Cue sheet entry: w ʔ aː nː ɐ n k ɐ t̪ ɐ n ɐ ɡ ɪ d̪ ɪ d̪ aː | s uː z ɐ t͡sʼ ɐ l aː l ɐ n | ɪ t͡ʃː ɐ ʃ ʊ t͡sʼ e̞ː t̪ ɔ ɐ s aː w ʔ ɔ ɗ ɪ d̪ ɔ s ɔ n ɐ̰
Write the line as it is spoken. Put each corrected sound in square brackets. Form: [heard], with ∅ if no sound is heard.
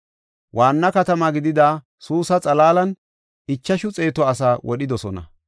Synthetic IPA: w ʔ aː nː ɐ [∅] k ɐ t̪ ɐ [m] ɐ ɡ ɪ d̪ ɪ d̪ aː | s uː [s] ɐ t͡sʼ ɐ l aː l ɐ n | ɪ t͡ʃː ɐ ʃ ʊ t͡sʼ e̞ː t̪ ɔ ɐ s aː w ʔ ɔ ɗ ɪ d̪ ɔ s ɔ n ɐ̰